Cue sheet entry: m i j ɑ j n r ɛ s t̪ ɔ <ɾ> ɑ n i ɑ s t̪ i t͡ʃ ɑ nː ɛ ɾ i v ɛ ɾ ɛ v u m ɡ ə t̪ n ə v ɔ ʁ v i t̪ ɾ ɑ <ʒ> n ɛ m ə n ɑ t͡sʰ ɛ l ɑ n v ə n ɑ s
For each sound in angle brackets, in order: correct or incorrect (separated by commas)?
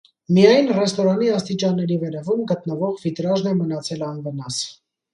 correct, correct